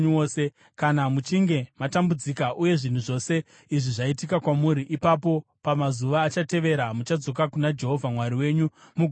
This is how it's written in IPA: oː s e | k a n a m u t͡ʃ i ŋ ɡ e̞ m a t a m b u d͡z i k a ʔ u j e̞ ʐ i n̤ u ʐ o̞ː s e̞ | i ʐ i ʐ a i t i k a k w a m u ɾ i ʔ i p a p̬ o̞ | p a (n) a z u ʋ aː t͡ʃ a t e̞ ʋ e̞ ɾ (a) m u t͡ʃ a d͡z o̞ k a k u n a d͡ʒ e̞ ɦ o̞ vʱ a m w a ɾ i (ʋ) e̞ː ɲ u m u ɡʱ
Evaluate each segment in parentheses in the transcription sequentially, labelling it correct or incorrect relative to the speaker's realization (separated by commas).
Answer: incorrect, correct, incorrect